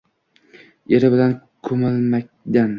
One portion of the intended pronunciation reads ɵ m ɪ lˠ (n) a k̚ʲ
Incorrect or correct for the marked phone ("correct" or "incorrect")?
incorrect